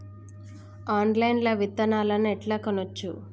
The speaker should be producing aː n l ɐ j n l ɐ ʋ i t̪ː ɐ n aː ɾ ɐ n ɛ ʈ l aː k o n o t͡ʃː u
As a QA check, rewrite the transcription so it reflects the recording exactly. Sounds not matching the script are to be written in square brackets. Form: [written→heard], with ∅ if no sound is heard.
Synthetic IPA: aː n l ɐ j n l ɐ ʋ i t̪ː ɐ n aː [ɾ→l] ɐ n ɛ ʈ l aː k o n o t͡ʃː u